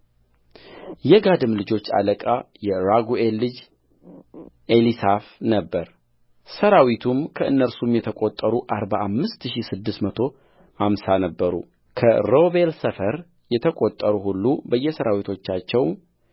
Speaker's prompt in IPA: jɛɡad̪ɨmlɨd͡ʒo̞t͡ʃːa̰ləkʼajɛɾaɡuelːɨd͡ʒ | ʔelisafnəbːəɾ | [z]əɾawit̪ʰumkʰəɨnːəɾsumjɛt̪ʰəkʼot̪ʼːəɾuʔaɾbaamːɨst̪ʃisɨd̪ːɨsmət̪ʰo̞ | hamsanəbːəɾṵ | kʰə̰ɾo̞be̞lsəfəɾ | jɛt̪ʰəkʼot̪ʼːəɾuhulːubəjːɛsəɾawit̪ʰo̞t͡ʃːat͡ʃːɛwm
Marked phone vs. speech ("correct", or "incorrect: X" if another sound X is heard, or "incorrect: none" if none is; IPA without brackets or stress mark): incorrect: s